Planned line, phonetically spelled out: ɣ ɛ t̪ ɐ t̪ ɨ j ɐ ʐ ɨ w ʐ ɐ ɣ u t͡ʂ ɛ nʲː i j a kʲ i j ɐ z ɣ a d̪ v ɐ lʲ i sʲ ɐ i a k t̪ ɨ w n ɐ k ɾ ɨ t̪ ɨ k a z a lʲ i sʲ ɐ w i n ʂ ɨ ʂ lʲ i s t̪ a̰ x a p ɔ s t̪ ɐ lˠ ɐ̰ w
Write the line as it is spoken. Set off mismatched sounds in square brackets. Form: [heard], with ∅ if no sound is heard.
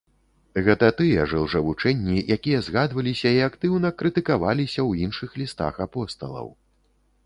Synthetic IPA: ɣ ɛ t̪ ɐ t̪ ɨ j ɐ ʐ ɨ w ʐ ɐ [v] u t͡ʂ ɛ nʲː i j a kʲ i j ɐ z ɣ a d̪ v ɐ lʲ i sʲ ɐ i a k t̪ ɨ w n ɐ k ɾ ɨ t̪ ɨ k a [v] a lʲ i sʲ ɐ w i n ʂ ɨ [x] lʲ i s t̪ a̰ x a p ɔ s t̪ ɐ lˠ ɐ̰ w